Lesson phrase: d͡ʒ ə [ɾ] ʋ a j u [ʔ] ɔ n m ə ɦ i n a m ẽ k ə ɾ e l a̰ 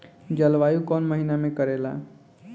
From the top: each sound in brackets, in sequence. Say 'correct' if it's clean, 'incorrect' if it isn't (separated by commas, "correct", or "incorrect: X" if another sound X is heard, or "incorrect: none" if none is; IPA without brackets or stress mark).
incorrect: l, incorrect: k